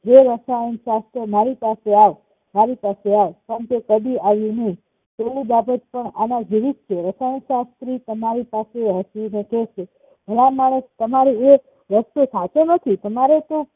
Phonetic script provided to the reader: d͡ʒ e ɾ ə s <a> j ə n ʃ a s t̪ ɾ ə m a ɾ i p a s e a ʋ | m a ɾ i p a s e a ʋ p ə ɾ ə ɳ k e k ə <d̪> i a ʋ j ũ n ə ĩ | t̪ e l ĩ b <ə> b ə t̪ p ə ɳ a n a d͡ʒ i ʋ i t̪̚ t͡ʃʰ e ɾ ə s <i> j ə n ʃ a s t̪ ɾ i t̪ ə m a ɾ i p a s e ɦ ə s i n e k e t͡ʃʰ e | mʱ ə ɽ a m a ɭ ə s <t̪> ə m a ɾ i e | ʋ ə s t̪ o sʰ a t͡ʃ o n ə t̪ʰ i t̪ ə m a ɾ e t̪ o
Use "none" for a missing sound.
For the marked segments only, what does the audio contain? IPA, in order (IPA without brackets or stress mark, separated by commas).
a, d̪, a, a, t̪